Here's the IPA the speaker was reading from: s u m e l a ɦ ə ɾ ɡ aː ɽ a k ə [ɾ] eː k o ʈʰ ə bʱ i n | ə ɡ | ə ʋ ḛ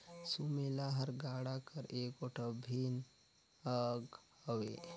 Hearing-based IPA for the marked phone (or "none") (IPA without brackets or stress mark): ɾ